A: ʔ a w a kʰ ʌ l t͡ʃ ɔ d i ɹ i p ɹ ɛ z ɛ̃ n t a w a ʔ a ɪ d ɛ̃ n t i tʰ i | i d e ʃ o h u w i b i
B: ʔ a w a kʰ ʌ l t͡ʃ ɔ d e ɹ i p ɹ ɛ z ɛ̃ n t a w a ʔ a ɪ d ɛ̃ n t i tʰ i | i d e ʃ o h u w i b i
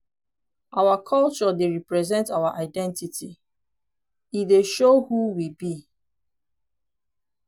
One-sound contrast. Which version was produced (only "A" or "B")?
B